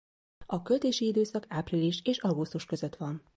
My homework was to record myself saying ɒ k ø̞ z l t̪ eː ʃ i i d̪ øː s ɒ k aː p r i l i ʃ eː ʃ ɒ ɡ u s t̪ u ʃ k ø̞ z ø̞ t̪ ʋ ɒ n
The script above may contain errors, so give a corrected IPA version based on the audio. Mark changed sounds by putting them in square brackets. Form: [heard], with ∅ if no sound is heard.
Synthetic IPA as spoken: ɒ k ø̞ [∅] l t̪ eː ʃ i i d̪ øː s ɒ k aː p r i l i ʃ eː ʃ ɒ ɡ u s t̪ u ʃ k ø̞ z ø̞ t̪ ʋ ɒ n